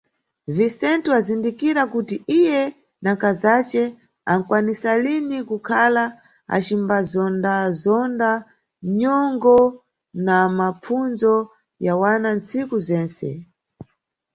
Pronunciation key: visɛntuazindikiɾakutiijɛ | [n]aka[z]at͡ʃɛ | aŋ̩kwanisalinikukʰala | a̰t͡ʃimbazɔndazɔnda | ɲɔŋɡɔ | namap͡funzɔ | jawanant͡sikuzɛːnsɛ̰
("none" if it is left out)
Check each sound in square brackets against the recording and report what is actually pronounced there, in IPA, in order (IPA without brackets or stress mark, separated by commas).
n, z